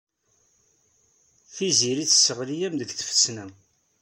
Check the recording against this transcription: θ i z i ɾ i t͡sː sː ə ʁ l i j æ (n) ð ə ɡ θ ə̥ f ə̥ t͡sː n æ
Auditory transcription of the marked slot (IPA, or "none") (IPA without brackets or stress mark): m